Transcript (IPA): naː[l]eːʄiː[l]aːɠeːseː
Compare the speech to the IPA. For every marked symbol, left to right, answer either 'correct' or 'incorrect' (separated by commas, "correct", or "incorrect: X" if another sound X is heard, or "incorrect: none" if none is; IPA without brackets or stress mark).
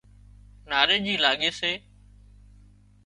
incorrect: ɾ, correct